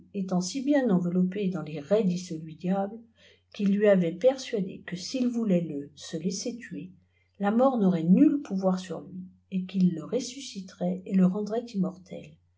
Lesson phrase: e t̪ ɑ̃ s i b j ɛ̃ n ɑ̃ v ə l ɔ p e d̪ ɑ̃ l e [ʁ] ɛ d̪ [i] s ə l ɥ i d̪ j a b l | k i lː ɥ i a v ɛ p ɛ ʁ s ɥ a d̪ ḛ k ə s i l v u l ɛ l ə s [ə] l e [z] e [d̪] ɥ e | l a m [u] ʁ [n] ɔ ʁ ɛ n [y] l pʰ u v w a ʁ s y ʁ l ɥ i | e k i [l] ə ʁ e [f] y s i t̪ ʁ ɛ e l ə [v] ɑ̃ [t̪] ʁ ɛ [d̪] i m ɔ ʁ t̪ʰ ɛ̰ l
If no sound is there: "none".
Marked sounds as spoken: ʁ, i, ə, s, t̪, ɔ, n, y, lː, s, ʁ, d̪, t̪

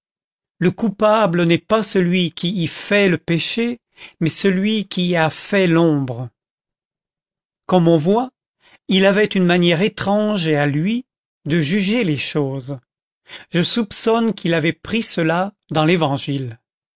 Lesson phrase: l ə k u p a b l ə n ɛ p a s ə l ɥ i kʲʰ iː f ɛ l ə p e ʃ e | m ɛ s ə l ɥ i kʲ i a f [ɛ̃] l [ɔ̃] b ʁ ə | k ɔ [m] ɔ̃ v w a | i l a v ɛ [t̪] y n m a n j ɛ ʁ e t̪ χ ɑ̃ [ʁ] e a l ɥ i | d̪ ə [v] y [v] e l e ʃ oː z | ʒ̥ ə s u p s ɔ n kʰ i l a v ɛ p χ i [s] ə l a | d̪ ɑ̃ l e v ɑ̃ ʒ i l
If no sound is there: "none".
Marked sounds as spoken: ɛ, ɔ̃, m, t̪, ʒ, ʒ, ʒ, s

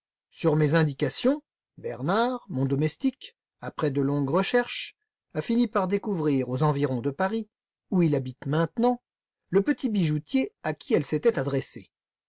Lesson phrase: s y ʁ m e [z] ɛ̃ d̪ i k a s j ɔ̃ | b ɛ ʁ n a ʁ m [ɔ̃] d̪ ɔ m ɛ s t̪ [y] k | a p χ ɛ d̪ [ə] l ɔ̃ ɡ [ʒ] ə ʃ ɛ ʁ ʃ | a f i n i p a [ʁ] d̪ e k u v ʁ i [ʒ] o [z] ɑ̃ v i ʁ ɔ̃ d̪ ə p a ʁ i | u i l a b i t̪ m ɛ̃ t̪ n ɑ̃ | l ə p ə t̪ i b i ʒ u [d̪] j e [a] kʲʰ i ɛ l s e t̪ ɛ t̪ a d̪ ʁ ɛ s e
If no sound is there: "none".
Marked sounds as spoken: z, ɔ̃, i, ə, ʁ, ʁ, ʁ, z, t̪, a

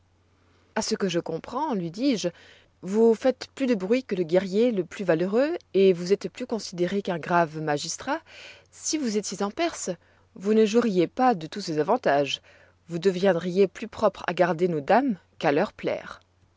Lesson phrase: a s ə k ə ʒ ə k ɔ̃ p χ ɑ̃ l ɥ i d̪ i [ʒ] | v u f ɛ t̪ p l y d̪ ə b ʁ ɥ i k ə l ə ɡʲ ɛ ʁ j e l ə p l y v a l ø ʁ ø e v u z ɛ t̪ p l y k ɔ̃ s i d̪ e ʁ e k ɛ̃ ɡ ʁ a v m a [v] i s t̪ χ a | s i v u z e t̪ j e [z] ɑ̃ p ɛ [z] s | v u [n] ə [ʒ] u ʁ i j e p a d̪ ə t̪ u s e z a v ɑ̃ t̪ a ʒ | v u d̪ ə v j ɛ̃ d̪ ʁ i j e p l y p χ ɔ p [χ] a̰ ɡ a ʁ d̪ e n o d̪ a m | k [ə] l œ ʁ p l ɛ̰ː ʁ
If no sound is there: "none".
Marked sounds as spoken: ʒ, ʒ, z, ʁ, n, ʒ, χ, a

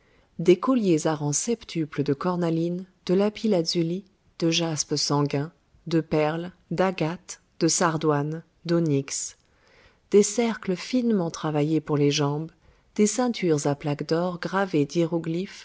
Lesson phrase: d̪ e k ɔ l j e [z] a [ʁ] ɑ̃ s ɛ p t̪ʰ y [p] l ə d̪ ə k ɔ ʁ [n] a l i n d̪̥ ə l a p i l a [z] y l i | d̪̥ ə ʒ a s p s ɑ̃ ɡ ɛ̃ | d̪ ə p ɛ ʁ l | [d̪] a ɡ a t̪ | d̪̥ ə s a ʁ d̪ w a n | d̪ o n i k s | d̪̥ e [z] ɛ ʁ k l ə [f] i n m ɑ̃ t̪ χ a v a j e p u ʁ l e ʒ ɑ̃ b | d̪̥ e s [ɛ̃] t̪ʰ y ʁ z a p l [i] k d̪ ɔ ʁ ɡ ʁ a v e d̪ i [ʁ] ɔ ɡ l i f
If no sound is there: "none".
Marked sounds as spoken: z, ʁ, p, n, z, d̪, s, f, ɛ̃, a, ʁ

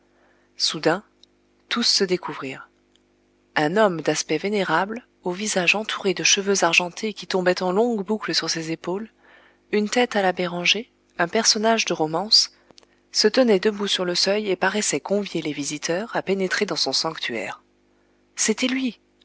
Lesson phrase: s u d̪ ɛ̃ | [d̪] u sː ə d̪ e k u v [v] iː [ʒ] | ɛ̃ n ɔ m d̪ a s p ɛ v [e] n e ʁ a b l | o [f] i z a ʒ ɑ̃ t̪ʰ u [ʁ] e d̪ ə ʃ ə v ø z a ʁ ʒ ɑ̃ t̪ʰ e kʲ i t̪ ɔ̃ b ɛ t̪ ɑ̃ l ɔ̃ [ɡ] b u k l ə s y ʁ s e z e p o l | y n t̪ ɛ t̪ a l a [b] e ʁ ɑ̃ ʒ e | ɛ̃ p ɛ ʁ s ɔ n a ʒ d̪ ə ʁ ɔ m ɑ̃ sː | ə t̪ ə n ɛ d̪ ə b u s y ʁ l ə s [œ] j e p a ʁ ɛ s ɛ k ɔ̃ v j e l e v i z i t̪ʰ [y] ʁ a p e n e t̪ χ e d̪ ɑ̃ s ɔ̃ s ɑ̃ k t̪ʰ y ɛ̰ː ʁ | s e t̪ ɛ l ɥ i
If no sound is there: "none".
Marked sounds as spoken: t̪, ʁ, ʁ, e, v, ʁ, ɡ, b, œ, œ

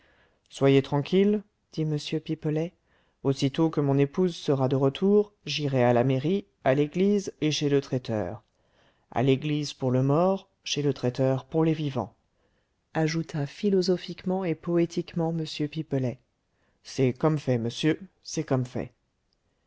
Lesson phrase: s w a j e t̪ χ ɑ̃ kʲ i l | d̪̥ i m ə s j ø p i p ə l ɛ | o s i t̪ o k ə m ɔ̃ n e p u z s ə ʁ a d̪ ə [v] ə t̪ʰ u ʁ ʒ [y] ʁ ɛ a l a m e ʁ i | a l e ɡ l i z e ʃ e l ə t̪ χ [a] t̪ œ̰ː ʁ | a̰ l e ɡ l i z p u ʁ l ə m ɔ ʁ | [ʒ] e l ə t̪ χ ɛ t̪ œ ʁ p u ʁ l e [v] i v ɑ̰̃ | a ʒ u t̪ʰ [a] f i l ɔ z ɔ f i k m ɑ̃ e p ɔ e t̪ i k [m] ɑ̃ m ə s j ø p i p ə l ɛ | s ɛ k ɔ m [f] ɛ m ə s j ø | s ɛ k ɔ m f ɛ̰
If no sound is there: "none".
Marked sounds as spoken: ʁ, i, ɛ, ʃ, v, a, m, f

